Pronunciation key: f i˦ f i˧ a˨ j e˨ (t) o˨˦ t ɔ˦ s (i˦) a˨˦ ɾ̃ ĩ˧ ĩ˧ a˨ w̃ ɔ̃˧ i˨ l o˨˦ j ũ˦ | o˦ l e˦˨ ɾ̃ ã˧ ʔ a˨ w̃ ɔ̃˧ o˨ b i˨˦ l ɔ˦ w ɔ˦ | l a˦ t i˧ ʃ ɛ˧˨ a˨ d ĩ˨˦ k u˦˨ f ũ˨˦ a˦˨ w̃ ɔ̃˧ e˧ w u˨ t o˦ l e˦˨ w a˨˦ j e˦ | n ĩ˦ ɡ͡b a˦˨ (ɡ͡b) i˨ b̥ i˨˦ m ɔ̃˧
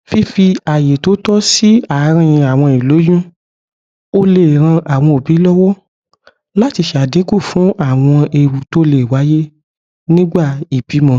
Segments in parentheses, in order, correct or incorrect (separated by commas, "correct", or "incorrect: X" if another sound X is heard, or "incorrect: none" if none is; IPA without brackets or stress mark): correct, correct, incorrect: none